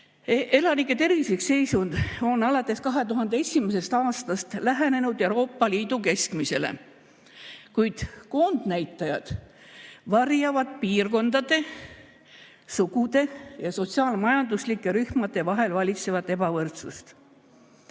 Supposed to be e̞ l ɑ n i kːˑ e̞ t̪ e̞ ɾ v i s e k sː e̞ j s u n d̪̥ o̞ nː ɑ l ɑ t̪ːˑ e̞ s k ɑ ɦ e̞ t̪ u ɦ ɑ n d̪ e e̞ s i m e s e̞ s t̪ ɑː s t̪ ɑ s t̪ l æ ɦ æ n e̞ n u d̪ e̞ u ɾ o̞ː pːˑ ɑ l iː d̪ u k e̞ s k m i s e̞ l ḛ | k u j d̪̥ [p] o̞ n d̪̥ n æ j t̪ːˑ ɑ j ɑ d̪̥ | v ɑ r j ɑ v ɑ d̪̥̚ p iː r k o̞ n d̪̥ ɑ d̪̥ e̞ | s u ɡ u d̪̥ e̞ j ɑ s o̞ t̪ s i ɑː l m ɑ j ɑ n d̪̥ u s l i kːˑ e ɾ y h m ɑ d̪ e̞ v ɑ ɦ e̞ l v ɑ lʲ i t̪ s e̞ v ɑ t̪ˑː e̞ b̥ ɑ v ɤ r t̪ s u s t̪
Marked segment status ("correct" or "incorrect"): incorrect